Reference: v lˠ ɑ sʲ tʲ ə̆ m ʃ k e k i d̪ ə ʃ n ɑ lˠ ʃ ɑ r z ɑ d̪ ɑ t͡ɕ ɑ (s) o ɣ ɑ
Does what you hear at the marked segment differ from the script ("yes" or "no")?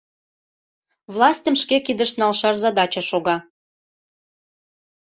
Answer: yes